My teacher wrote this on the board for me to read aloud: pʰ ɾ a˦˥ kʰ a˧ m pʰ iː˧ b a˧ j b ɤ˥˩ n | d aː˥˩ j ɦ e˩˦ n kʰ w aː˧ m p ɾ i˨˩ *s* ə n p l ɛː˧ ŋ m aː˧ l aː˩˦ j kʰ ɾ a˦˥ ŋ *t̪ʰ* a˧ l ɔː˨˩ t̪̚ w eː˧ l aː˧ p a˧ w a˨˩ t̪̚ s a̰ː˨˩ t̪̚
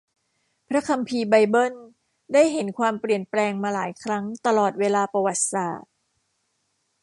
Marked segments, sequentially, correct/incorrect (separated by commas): incorrect, incorrect